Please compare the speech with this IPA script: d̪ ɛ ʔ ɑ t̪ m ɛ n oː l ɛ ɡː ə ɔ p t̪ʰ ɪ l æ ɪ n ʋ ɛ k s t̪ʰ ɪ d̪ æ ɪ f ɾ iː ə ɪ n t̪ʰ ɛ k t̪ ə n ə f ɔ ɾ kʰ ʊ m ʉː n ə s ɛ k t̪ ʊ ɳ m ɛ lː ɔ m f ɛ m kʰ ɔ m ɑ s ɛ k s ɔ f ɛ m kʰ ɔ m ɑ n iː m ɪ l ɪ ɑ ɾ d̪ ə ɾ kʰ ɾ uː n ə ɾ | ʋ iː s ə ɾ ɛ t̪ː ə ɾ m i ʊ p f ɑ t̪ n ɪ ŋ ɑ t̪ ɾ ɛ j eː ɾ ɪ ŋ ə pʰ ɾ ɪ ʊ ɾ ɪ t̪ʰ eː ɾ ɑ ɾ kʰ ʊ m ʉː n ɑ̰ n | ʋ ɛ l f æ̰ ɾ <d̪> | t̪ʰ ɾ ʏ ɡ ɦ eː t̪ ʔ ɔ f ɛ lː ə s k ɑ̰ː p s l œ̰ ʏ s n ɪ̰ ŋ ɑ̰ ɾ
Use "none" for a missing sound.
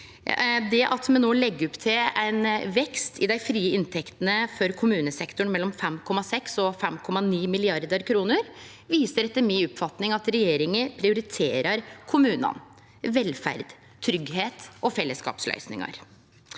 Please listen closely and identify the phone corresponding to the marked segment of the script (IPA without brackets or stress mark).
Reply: d̪